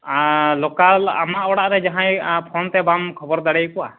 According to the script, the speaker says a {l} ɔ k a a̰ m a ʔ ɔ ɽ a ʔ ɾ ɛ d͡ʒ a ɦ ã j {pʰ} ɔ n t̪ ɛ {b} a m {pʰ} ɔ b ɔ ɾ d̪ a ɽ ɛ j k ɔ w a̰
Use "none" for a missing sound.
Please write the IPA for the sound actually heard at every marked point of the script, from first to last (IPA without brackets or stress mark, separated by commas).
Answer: l, pʰ, b, kʰ